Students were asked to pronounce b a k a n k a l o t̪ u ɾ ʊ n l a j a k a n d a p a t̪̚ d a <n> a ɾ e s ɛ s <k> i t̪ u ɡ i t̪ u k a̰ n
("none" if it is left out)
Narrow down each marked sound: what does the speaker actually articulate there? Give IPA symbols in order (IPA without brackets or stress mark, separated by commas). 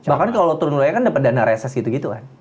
n, ɡ